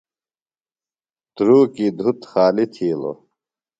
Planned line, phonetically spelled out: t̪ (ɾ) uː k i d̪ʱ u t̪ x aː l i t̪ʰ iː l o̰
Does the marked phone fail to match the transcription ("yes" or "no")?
no